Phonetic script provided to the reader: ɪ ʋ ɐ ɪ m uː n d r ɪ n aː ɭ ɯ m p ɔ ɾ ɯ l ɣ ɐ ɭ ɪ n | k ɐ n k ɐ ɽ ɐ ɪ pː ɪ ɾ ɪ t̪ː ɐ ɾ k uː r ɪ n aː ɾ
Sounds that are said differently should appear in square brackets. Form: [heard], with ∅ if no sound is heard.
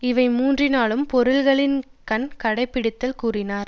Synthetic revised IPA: ɪ ʋ ɐ ɪ m uː n d r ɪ n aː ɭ ɯ m p ɔ ɾ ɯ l ɣ ɐ ɭ ɪ n | k ɐ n k ɐ ɽ ɐ ɪ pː ɪ [ɽ] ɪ t̪ː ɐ [l] k uː r ɪ n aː ɾ